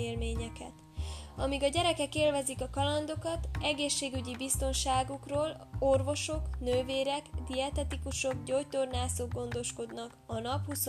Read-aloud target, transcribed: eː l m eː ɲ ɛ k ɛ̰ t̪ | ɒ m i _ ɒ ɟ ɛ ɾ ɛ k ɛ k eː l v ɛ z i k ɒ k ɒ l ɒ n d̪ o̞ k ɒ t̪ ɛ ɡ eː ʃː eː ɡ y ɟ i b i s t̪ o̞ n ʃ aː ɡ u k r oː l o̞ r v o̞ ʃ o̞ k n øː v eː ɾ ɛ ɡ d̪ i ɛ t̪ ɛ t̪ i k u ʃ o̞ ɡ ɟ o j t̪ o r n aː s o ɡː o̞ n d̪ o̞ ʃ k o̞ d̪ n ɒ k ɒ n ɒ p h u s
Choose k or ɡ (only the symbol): ɡ